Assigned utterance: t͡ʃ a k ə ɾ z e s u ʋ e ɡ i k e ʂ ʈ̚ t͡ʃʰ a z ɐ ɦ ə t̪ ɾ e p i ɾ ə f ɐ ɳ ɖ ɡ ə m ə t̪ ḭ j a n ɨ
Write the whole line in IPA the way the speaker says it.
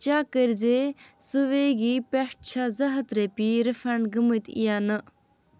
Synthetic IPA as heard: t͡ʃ a k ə ɾ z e s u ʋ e ɡ i p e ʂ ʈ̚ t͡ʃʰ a z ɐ ɦ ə t̪ ɾ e p i ɾ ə f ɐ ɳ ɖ ɡ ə m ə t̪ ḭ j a n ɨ